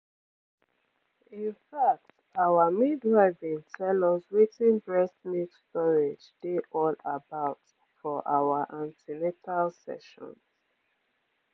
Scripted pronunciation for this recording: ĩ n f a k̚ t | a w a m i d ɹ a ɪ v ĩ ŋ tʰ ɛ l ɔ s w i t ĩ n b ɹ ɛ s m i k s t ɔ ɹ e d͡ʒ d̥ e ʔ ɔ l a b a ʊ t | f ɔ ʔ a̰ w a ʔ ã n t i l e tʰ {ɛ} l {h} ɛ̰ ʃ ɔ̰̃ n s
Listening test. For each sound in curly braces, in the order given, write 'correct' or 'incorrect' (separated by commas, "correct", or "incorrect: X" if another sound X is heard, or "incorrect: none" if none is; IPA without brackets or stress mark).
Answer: incorrect: a, incorrect: s